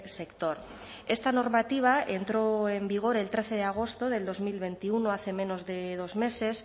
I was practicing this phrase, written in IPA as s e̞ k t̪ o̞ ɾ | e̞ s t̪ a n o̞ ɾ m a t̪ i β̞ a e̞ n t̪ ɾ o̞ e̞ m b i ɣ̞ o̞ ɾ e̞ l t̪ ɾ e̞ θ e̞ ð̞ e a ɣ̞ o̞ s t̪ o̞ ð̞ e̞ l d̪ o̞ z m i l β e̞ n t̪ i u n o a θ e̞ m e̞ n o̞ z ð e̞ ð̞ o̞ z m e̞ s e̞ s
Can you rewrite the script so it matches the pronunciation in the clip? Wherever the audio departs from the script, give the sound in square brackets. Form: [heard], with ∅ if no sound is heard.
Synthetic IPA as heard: s e̞ k t̪ o̞ ɾ | e̞ s t̪ a n o̞ ɾ m a t̪ i β̞ a e̞ n t̪ ɾ o̞ e̞ m b i ɣ̞ o̞ ɾ e̞ l t̪ ɾ e̞ θ e̞ ð̞ e a ɣ̞ o̞ s t̪ o̞ ð̞ e̞ l d̪ o̞ z m i l β e̞ n t̪ i u n o a θ e̞ m e̞ n o̞ z ð e̞ ð̞ o̞ z m e̞ s e̞ s

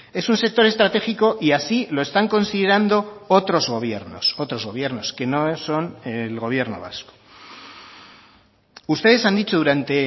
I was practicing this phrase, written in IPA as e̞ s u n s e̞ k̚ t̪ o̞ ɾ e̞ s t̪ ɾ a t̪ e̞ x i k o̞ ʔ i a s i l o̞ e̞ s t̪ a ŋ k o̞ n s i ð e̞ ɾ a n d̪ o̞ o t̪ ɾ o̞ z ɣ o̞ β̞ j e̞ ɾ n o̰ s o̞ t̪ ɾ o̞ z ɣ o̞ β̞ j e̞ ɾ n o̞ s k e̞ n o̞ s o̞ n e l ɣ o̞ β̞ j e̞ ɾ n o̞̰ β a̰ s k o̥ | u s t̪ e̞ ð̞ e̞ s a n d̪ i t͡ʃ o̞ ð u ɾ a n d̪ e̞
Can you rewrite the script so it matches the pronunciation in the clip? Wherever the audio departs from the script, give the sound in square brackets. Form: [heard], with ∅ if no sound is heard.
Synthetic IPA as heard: e̞ s u n s e̞ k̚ t̪ o̞ ɾ e̞ s t̪ ɾ a t̪ e̞ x i k o̞ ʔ i a s i l o̞ e̞ s t̪ a ŋ k o̞ n s i ð e̞ ɾ a n d̪ o̞ o t̪ ɾ o̞ z ɣ o̞ β̞ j e̞ ɾ n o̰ s o̞ t̪ ɾ o̞ z ɣ o̞ β̞ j e̞ ɾ n o̞ s k e̞ n o̞ s o̞ n e l ɣ o̞ β̞ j e̞ ɾ n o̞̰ β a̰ s k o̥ | u s t̪ e̞ ð̞ e̞ s a n d̪ i t͡ʃ o̞ ð u ɾ a n [t̪] e̞

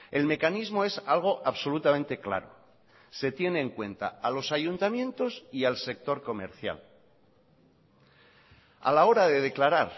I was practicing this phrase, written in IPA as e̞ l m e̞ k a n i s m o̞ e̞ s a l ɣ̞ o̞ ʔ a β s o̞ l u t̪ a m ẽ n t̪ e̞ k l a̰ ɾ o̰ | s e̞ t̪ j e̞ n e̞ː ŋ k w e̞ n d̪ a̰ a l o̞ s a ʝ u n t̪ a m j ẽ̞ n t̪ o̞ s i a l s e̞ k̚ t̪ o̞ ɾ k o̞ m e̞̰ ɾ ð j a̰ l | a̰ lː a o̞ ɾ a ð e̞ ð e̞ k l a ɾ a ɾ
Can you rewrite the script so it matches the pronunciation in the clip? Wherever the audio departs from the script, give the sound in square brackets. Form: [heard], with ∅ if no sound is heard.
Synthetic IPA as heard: e̞ l m e̞ k a n i [z] m o̞ e̞ s a l ɣ̞ o̞ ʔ a β s o̞ l u t̪ a m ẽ n t̪ e̞ k l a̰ ɾ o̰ | s e̞ t̪ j e̞ n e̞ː ŋ k w e̞ n [t̪] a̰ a l o̞ s a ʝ u n t̪ a m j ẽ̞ n t̪ o̞ s i a l s e̞ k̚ t̪ o̞ ɾ k o̞ m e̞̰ ɾ [θ] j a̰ l | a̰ [l] a o̞ ɾ a ð e̞ ð e̞ k l a ɾ a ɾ

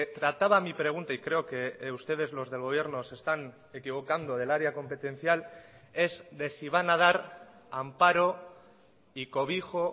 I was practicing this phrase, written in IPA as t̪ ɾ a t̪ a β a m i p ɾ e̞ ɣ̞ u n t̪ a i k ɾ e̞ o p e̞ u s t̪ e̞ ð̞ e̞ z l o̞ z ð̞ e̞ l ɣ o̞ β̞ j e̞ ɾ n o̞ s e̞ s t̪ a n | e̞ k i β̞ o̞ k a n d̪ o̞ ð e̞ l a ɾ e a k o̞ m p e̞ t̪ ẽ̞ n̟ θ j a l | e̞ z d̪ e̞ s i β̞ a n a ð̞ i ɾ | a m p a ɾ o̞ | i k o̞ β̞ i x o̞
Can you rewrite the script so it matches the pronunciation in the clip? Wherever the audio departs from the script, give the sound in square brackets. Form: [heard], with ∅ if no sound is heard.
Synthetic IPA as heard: t̪ ɾ a t̪ a β a m i p ɾ e̞ ɣ̞ u n t̪ a i k ɾ e̞ o [k] e̞ u s t̪ e̞ ð̞ e̞ z l o̞ z ð̞ e̞ l ɣ o̞ β̞ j e̞ ɾ n o̞ s e̞ s t̪ a n | e̞ k i β̞ o̞ k a n d̪ o̞ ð e̞ l a ɾ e a k o̞ m p e̞ t̪ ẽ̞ n̟ θ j a l | e̞ z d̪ e̞ s i β̞ a n a ð̞ [a] ɾ | a m p a ɾ o̞ | i k o̞ β̞ i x o̞

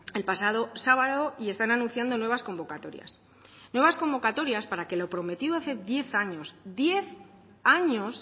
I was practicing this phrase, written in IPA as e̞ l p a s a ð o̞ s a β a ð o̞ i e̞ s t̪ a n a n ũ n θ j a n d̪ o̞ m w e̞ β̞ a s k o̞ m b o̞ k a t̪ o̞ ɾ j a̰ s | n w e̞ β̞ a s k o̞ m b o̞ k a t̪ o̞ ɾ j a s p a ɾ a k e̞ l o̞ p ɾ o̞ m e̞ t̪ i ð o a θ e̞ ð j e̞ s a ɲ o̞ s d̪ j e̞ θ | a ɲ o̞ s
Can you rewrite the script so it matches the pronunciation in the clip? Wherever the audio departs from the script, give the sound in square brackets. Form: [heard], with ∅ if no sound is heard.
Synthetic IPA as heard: e̞ l p a s a ð o̞ s a β a ð o̞ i e̞ s t̪ a n a n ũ n θ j a n d̪ o̞ [n] w e̞ β̞ a s k o̞ m b o̞ k a t̪ o̞ ɾ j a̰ s | n w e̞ β̞ a s k o̞ m b o̞ k a t̪ o̞ ɾ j a s p a ɾ a k e̞ l o̞ p ɾ o̞ m e̞ t̪ i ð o a θ e̞ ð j e̞ [θ] a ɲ o̞ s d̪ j e̞ θ | a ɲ o̞ s

